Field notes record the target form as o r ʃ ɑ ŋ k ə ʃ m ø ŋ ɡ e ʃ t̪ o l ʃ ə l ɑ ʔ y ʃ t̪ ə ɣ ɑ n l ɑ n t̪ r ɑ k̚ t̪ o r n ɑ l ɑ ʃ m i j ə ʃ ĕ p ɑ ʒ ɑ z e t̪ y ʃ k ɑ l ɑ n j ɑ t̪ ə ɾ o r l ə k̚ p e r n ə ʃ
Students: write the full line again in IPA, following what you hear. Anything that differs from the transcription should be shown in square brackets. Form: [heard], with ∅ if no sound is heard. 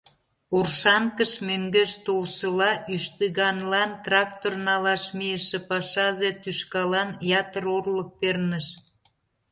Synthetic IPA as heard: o r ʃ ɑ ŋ k ə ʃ m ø ŋ ɡ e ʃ t̪ o l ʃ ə l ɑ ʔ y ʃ t̪ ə ɣ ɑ n l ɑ n t̪ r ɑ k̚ t̪ o r n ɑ l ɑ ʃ m i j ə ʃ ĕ p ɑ [ʃ] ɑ z e t̪ y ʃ k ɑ l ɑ n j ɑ t̪ ə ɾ o r l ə k̚ p e r n ə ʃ